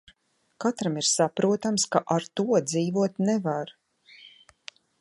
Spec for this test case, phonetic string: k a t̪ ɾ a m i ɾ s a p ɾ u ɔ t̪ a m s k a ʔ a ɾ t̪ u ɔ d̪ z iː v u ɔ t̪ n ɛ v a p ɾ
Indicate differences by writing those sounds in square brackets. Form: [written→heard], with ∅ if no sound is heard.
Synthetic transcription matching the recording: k a t̪ ɾ a m i ɾ s a p ɾ u ɔ t̪ a m s k a ʔ a ɾ t̪ u ɔ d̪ z iː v u ɔ t̪ n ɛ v a [p→∅] ɾ